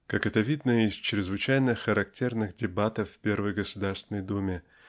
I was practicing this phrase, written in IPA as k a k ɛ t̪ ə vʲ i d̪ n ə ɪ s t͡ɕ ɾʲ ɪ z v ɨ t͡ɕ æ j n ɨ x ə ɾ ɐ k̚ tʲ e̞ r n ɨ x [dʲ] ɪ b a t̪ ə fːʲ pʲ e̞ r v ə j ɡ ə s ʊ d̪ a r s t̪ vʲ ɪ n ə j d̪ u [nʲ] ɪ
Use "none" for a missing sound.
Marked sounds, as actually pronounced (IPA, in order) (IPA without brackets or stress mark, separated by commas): dʲ, mʲ